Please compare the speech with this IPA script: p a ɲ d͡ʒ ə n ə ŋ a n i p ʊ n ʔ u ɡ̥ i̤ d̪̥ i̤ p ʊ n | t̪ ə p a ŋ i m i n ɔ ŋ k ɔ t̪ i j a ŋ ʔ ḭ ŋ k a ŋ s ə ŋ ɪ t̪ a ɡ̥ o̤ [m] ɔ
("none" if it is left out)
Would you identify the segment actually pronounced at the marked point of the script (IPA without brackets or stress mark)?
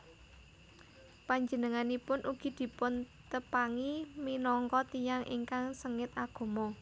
m